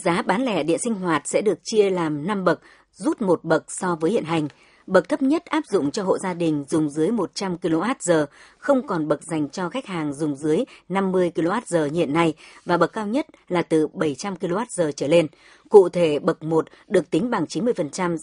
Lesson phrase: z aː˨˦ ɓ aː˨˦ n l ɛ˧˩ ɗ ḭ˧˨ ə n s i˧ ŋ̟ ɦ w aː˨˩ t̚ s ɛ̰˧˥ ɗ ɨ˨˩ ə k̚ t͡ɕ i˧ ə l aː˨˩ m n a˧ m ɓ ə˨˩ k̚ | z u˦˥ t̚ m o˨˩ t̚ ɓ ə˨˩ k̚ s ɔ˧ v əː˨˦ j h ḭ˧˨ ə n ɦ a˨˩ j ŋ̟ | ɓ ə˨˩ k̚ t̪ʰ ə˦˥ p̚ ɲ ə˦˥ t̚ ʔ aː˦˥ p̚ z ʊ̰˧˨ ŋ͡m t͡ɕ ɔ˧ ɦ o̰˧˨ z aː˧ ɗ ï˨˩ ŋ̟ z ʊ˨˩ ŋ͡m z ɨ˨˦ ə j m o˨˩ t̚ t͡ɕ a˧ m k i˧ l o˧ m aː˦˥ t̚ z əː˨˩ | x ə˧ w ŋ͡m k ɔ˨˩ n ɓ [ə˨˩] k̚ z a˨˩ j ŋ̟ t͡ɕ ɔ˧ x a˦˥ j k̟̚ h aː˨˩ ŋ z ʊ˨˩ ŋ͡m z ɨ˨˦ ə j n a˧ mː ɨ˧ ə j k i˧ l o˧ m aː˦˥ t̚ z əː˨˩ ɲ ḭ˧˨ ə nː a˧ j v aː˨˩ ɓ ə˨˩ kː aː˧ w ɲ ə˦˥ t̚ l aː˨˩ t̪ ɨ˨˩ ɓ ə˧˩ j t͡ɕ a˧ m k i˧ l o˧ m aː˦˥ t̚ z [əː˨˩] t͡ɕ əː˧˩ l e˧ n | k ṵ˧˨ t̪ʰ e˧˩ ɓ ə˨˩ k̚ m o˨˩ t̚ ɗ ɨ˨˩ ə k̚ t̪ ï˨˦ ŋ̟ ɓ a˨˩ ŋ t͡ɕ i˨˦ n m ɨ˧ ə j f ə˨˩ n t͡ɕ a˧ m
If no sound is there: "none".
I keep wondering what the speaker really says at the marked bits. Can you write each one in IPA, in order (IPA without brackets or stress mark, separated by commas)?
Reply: ə˨˩, əː˨˩